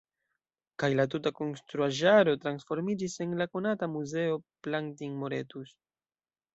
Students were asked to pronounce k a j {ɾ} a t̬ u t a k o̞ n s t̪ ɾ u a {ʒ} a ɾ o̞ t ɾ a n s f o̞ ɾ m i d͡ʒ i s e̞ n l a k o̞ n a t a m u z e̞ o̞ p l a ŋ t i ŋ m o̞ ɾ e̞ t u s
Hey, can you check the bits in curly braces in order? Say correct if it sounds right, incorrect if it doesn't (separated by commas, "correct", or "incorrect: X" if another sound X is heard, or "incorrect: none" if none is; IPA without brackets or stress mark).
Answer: incorrect: l, correct